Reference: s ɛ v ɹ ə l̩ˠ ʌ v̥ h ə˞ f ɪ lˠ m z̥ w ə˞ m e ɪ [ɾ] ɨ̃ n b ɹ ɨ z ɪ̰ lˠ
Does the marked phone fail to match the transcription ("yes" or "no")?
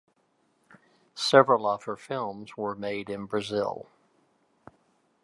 no